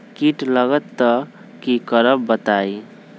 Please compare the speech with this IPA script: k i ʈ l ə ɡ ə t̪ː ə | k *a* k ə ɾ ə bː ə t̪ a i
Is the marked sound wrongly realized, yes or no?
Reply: yes